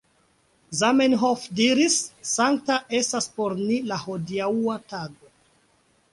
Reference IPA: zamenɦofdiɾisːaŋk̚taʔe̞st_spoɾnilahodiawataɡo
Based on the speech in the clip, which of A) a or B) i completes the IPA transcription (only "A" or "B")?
A